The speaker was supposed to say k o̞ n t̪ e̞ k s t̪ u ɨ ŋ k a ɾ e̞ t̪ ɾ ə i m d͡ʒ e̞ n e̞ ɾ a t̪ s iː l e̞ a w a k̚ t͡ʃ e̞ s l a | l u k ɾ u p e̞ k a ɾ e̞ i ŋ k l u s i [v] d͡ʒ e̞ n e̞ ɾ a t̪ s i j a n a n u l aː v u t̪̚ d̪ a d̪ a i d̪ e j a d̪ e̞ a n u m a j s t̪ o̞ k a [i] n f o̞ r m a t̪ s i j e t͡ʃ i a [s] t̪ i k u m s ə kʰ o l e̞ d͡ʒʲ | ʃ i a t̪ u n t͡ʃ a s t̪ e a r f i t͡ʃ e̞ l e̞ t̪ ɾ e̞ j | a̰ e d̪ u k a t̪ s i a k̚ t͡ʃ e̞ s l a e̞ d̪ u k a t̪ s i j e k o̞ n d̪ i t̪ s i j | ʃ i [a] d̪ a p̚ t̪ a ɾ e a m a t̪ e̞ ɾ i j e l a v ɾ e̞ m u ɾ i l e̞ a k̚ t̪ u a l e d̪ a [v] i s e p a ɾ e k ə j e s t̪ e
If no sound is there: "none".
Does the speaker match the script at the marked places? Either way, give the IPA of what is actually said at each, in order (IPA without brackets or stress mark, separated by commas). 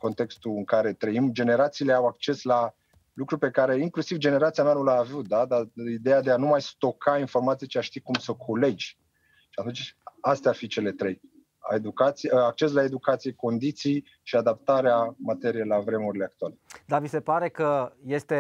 v, i, ʃ, a, v